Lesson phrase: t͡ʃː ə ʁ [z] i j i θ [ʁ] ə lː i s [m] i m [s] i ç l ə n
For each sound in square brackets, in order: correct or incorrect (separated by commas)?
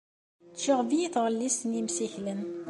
incorrect, correct, incorrect, correct